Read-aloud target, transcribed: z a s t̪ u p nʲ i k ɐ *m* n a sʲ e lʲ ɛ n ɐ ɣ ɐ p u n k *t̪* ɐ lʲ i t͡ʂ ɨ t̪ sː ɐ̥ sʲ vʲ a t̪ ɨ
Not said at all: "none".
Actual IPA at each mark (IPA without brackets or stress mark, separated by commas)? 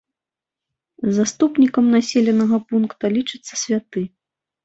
m, t̪